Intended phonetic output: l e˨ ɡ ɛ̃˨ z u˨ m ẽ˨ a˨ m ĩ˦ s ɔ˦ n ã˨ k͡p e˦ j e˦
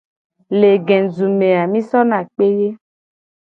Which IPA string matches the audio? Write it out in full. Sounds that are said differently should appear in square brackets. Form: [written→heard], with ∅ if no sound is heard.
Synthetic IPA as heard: l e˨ ɡ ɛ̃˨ z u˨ m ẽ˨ a˨ m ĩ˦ s ɔ˦ n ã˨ k͡p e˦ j e˦